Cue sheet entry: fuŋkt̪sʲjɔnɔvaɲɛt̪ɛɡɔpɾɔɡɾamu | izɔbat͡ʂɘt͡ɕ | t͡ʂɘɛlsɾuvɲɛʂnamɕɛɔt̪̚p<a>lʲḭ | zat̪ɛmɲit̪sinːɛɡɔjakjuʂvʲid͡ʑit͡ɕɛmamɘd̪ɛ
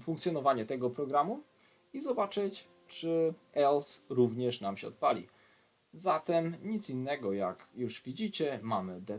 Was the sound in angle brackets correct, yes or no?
yes